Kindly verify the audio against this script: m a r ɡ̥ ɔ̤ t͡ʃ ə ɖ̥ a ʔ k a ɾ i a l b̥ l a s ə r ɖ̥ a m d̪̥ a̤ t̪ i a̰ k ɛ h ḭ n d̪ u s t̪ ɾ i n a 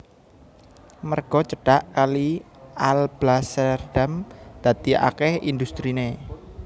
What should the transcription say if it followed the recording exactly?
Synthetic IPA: m ə r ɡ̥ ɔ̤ t͡ʃ ə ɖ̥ a ʔ k a l i a l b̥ l a s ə r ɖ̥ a m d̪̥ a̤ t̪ i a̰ k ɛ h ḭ n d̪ u s t̪ ɾ i n e